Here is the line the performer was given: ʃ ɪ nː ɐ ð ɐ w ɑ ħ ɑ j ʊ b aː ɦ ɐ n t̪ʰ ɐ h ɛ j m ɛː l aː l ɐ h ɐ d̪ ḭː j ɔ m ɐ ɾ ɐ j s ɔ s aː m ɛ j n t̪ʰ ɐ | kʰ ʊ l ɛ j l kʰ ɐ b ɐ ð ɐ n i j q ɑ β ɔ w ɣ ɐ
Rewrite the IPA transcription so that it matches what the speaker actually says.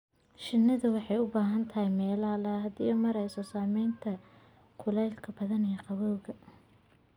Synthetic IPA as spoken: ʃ ɪ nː ɐ ð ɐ w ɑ ħ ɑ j ʊ b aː ɦ ɐ n t̪ʰ ɐ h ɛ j m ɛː l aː l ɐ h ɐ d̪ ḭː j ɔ m ɐ ɾ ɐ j s ɔ s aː m ɛ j n t̪ʰ ɐ | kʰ ʊ l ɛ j l kʰ ɐ b ɐ ð ɐ n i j q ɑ β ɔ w ɣ ɐ